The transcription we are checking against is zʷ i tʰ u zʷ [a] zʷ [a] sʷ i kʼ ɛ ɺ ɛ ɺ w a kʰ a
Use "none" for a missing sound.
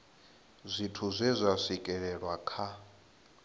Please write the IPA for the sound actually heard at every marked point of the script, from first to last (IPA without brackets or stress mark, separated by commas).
ɛ, a